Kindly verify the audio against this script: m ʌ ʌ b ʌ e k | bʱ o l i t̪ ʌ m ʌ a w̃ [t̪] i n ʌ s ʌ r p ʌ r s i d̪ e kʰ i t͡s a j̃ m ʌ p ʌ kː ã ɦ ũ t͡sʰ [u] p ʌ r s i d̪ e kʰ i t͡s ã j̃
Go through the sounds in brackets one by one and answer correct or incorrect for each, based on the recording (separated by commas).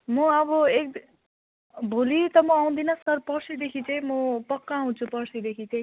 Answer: incorrect, correct